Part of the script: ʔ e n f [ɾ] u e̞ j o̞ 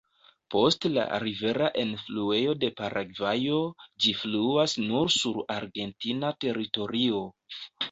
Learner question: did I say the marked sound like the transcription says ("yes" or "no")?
no